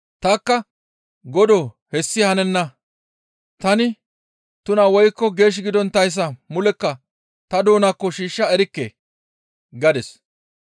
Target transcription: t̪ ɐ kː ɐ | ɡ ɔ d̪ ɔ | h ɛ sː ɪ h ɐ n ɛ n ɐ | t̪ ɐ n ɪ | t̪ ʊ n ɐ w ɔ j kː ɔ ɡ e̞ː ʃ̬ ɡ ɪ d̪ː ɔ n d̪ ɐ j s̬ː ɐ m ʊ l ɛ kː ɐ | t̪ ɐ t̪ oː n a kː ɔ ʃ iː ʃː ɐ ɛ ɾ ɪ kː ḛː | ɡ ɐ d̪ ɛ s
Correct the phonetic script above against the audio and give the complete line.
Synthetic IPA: t̪ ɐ kː ɐ | ɡ ɔ d̪ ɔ | h ɛ sː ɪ h ɐ n ɛ nː ɐ | t̪ ɐ n ɪ | t̪ ʊ n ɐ w ɔ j kː ɔ ɡ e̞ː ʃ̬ ɡ ɪ d̪ ɔ n t̪ ɐ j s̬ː ɐ m ʊ l ɛ kː ɐ | t̪ ɐ d̪ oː n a kː ɔ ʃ iː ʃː ɐ ɛ ɾ ɪ kː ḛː | ɡ ɐ d̪ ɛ s